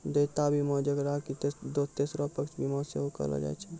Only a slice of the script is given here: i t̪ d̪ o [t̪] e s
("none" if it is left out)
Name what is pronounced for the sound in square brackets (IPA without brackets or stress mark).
t̪